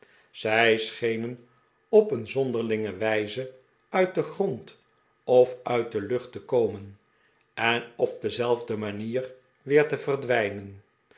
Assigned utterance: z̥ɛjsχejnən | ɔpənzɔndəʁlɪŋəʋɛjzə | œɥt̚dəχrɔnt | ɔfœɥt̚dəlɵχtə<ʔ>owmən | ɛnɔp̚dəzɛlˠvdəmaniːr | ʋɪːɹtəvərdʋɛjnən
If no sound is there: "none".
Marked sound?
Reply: k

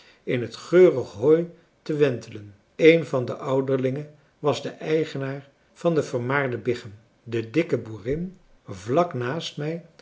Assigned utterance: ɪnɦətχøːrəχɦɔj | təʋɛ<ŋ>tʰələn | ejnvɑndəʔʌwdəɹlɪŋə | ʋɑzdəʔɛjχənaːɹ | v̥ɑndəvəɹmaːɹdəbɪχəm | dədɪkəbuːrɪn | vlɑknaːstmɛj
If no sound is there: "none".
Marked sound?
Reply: n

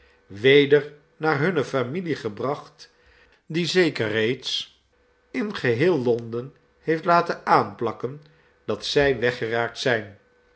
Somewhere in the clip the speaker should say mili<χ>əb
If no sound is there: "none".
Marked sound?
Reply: χ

